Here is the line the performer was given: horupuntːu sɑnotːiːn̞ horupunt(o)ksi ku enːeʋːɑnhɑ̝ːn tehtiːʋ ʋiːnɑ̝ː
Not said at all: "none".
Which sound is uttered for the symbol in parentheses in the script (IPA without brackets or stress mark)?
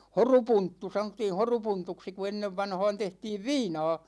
u